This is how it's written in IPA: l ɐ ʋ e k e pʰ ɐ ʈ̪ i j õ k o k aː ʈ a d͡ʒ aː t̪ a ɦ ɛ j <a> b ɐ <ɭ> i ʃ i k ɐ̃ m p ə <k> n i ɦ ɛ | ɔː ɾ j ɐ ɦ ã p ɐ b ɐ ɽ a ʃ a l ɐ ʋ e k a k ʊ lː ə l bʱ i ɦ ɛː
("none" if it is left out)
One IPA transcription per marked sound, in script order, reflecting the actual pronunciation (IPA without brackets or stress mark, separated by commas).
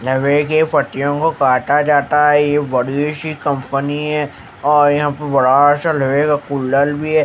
e, ɽ, none